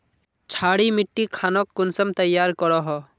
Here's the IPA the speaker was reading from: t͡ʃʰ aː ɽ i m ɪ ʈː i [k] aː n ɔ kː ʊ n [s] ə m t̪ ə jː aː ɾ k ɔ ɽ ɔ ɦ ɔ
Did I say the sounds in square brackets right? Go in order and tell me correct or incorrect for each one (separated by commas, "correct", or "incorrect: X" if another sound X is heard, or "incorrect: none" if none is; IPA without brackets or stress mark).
incorrect: kʰ, correct